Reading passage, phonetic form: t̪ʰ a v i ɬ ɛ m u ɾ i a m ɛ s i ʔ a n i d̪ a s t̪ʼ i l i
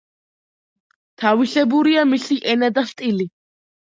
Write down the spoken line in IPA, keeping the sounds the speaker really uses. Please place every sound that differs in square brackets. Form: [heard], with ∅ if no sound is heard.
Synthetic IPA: t̪ʰ a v i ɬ ɛ [b] u ɾ i a m [i] s i ʔ [ɛ] n [a] d̪ a s t̪ʼ i l i